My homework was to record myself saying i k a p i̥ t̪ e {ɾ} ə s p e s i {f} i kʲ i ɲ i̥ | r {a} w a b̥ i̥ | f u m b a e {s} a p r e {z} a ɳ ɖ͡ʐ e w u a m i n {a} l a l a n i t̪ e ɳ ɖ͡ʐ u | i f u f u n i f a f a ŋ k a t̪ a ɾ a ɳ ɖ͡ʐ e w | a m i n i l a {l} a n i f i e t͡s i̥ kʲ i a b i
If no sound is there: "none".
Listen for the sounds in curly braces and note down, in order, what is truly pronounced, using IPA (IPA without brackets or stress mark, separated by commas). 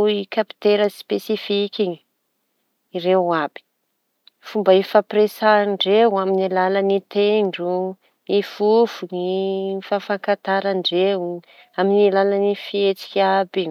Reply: ɾ, f, e, f, s, i, l